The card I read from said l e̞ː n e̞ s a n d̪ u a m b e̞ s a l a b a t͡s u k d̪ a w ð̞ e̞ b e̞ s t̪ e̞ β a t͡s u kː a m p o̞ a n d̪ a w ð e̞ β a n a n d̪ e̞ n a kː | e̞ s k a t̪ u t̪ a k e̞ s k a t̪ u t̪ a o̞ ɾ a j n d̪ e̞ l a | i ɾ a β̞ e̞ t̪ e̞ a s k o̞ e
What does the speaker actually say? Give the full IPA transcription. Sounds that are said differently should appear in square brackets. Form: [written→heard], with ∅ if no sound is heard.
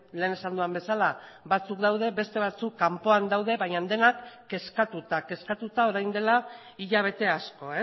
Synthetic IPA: l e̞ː n e̞ s a n d̪ u a m b e̞ s a l a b a t͡s u k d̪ a w ð̞ e̞ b e̞ s t̪ e̞ β a t͡s u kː a m p o̞ a n d̪ a w ð e̞ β a [n→ɲ] a n d̪ e̞ n a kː | e̞ s k a t̪ u t̪ a k e̞ s k a t̪ u t̪ a o̞ ɾ a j n d̪ e̞ l a | i [ɾ→ʎ] a β̞ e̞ t̪ e̞ a s k o̞ e

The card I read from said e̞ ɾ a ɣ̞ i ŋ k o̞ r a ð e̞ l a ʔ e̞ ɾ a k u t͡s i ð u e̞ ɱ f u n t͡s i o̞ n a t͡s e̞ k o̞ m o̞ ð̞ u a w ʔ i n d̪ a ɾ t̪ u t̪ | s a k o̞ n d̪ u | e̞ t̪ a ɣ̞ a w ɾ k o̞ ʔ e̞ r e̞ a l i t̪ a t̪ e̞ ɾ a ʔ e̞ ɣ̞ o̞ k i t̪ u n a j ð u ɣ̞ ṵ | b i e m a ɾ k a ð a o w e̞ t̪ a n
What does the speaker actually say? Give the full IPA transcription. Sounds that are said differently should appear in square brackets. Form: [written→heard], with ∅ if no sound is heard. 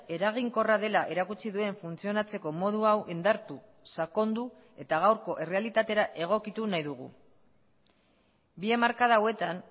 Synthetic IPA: e̞ ɾ a ɣ̞ i ŋ k o̞ r a ð e̞ l a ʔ e̞ ɾ a k u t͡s i ð u e̞ ɱ f u n t͡s i o̞ n a t͡s e̞ k o̞ m o̞ ð̞ u a w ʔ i n d̪ a ɾ t̪ u [t̪→∅] | s a k o̞ n d̪ u | e̞ t̪ a ɣ̞ a w ɾ k o̞ ʔ e̞ r e̞ a l i t̪ a t̪ e̞ ɾ a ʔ e̞ ɣ̞ o̞ k i t̪ u n a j ð u ɣ̞ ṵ | b i e m a ɾ k a ð a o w e̞ t̪ a n

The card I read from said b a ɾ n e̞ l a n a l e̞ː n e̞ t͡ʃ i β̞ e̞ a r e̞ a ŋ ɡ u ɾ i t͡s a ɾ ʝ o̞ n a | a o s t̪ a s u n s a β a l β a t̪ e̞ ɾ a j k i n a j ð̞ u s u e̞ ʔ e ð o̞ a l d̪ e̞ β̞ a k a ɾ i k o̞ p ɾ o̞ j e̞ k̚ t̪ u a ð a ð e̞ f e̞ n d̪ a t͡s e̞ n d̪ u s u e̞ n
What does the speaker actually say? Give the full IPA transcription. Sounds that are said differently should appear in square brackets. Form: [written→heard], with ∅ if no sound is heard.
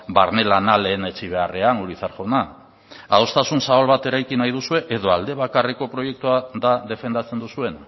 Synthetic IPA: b a ɾ n e̞ l a n a l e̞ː n e̞ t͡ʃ i β̞ e̞ a r e̞ a ŋ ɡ u ɾ i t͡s a ɾ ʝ o̞ n a | a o s t̪ a s u n s a β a l β a t̪ e̞ ɾ a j k i n a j ð̞ u s u e̞ ʔ e ð o̞ a l d̪ e̞ β̞ a k a [ɾ→r] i k o̞ p ɾ o̞ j e̞ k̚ t̪ u a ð a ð e̞ f e̞ n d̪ a t͡s e̞ n d̪ u s u e̞ n

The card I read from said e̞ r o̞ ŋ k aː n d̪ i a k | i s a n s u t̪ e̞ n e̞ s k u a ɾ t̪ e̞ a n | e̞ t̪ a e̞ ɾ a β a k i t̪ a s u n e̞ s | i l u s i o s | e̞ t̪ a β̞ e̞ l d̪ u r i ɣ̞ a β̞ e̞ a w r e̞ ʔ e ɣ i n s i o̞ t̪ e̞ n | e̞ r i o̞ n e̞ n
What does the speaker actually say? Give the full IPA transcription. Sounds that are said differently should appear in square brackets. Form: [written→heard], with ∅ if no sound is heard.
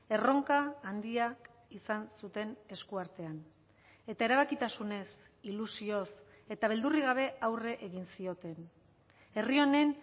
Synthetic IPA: e̞ r o̞ ŋ k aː n d̪ i a k | i s a n s u t̪ e̞ n e̞ s k u a ɾ t̪ e̞ a n | e̞ t̪ a e̞ ɾ a β a k i t̪ a s u n e̞ s | i l u s i o s | e̞ t̪ a β̞ e̞ l d̪ u r i ɣ̞ a β̞ e̞ a w r e̞ ʔ e ɣ i n s i o̞ t̪ e̞ n | e̞ r i o̞ n e̞ n

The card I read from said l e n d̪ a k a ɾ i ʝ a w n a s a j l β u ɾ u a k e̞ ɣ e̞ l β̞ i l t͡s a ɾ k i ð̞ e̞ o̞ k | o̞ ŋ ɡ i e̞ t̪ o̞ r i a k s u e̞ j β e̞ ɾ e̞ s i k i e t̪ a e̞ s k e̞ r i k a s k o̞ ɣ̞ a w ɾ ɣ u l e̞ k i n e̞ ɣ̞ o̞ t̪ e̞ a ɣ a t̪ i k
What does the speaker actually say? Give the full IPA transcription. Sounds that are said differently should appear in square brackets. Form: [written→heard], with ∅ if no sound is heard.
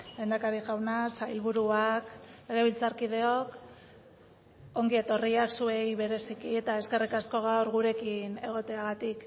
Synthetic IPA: l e n d̪ a k a ɾ i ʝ a w n a s a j l β u ɾ u a k e̞ ɣ e̞ [l→∅] β̞ i l t͡s a ɾ k i ð̞ e̞ o̞ k | o̞ ŋ ɡ i e̞ t̪ o̞ r i a k s u e̞ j β e̞ ɾ e̞ s i k i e t̪ a e̞ s k e̞ r i k a s k o̞ ɣ̞ a w ɾ ɣ u [l→ɾ] e̞ k i n e̞ ɣ̞ o̞ t̪ e̞ a ɣ a t̪ i k

